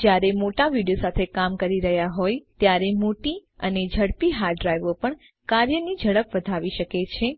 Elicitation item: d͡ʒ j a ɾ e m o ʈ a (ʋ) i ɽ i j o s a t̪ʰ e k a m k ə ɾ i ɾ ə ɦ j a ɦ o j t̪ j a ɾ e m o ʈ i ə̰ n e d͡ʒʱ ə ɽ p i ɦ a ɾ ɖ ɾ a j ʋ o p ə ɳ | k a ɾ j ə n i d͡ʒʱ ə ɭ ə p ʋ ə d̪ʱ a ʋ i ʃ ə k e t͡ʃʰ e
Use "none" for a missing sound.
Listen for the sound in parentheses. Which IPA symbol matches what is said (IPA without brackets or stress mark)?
ʋ